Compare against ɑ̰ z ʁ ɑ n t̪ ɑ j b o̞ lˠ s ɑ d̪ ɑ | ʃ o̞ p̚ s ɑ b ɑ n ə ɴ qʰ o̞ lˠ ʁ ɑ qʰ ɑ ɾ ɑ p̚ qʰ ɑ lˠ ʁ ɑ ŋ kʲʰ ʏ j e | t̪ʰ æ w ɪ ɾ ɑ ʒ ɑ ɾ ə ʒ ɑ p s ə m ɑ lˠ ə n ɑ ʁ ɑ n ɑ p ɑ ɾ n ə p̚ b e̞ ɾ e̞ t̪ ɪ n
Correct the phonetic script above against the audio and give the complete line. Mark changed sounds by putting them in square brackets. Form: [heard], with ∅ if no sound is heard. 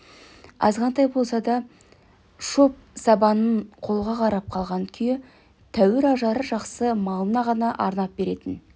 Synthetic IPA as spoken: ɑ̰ z ʁ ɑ n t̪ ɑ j b o̞ lˠ s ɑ d̪ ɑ | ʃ o̞ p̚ s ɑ b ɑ n ə ɴ qʰ o̞ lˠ ʁ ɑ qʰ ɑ ɾ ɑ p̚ qʰ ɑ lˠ ʁ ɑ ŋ kʲʰ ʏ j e | t̪ʰ æ w ɪ ɾ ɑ ʒ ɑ ɾ ə ʒ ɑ [q] s ə m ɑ lˠ ə n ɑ ʁ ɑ n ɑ [ʔ] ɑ ɾ n [ɑ] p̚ b e̞ ɾ e̞ t̪ ɪ n